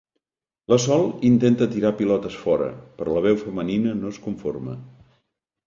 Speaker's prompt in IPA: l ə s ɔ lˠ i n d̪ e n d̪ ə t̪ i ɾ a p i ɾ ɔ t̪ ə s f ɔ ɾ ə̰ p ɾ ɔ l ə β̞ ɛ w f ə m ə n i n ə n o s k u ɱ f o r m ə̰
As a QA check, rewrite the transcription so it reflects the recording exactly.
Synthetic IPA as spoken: l ə s ɔ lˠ i n t̪ e n t̪ ə t̪ i ɾ a p i l ɔ t̪ ə s f ɔ ɾ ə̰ p ɾ ɔ l ə β̞ ɛ w f ə m ə n i n ə n o s k u ɱ f o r m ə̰